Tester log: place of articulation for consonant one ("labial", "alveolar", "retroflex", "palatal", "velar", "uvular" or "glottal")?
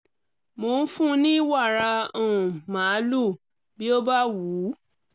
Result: labial